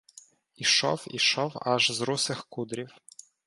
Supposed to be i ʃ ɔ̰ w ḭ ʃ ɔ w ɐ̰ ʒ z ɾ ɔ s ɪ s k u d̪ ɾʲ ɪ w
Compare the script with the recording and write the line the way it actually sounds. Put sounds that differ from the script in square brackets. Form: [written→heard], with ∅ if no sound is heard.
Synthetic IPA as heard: i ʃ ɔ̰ w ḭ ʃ ɔ w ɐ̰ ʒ z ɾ [ɔ→u] s ɪ [s→x] k u d̪ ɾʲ [ɪ→i] w